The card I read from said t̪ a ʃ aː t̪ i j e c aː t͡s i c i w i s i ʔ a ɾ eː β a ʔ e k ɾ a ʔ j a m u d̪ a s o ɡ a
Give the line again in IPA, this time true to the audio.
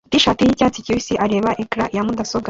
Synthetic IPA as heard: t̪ i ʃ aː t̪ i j i c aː t͡s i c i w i s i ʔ a ɾ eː β a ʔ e k ɾ a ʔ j a m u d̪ a s o ɡ a